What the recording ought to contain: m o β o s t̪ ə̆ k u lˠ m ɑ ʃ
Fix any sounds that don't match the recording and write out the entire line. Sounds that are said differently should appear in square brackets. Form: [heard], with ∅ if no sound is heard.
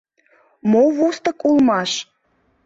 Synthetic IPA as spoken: m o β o s t̪ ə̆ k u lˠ m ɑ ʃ